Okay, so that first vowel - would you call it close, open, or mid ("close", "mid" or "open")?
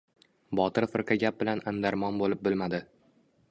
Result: open